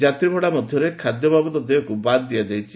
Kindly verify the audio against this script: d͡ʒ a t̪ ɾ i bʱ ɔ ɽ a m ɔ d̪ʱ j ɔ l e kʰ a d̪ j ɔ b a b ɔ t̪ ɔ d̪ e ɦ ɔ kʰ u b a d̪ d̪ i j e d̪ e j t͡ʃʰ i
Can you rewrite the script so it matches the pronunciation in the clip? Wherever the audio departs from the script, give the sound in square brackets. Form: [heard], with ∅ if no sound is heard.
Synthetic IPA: d͡ʒ a t̪ ɾ i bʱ ɔ ɽ a m ɔ d̪ʱ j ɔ [ɾ] e kʰ a d̪ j ɔ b a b ɔ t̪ ɔ d̪ e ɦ ɔ [k] u b a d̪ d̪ i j [a] d̪ e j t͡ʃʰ i

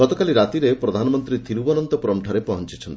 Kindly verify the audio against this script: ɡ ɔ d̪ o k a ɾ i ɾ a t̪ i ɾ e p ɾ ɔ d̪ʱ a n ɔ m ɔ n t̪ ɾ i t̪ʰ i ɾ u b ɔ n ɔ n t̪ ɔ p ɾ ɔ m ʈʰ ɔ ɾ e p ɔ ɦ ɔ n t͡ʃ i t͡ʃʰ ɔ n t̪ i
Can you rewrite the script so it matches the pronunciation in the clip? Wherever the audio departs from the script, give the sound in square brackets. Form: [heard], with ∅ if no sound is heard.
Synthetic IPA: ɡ ɔ [t̪] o k a [l] i ɾ a t̪ i ɾ e p ɾ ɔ d̪ʱ a n ɔ m ɔ n t̪ ɾ i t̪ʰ i ɾ u b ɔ n ɔ n t̪ ɔ p ɾ ɔ m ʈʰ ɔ ɾ e p ɔ ɦ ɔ n t͡ʃ i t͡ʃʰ ɔ n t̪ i

